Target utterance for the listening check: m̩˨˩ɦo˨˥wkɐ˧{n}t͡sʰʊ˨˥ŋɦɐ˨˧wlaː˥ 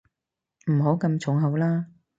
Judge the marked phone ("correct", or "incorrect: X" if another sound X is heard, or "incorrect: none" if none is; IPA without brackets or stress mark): incorrect: m